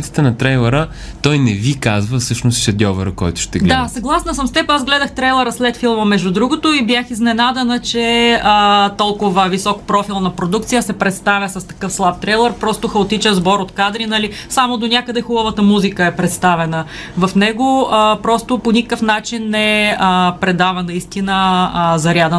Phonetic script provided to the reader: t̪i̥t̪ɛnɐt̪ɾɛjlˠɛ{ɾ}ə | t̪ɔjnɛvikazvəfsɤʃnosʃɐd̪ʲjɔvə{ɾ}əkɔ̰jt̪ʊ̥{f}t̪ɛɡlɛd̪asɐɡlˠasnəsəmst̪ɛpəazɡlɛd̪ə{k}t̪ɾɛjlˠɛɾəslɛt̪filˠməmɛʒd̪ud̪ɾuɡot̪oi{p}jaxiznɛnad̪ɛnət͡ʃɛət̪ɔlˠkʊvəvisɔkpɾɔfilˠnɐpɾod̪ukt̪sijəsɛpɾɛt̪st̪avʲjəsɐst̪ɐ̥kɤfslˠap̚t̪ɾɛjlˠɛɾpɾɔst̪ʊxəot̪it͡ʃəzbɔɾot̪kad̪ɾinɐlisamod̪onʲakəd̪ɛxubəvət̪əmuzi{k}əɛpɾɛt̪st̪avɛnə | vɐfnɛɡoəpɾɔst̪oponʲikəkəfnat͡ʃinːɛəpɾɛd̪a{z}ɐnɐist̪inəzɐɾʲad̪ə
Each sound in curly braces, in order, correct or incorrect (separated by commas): correct, correct, incorrect, incorrect, incorrect, correct, incorrect